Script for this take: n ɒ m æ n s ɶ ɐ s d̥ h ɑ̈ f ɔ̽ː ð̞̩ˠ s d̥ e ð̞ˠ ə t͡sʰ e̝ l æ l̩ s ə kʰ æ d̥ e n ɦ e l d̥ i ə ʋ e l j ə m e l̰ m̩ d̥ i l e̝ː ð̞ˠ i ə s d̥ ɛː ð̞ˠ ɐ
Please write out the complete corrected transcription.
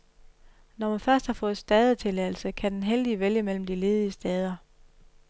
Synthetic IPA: n ɒ m æ n f ɶ ɐ s d̥ h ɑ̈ f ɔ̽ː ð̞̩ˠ s d̥ ɛ ð̞ˠ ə t͡sʰ e̝ l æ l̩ s ə kʰ æ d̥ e n ɦ e l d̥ i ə ʋ e l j ə m e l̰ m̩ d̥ i l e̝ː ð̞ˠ i ə s d̥ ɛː ð̞ˠ ɐ